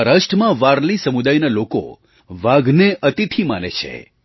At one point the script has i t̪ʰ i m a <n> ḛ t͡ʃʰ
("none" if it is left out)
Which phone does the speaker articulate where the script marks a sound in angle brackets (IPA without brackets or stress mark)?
n